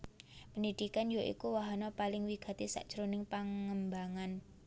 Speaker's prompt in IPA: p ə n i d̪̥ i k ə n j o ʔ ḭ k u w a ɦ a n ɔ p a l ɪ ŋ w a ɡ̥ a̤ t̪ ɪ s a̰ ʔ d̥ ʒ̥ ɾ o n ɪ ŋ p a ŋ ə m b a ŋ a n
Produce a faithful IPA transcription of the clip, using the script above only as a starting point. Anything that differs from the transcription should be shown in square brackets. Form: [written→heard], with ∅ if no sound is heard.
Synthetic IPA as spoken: p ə n i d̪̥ i k [ə→a] n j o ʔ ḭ k u w a ɦ a n ɔ p a l ɪ ŋ w [a→i] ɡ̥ a̤ t̪ [ɪ→i] s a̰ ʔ d̥ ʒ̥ ɾ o n ɪ ŋ p a ŋ ə m b a ŋ a n